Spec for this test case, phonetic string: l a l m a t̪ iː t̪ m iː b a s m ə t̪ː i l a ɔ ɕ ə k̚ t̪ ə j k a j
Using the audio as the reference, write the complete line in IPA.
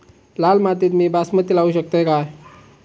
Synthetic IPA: l a l m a t̪ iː t̪ m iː b a s m ə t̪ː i l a u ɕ ə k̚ t̪ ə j k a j